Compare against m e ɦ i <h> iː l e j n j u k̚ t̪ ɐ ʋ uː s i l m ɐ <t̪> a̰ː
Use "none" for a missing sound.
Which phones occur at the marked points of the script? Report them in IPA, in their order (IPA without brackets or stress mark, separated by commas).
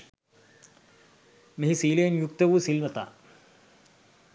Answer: s, t̪